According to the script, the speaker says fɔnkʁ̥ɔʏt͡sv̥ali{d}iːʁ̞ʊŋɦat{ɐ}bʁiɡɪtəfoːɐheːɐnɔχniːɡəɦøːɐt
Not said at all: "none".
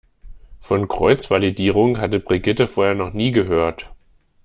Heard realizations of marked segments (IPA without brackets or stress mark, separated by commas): d, ə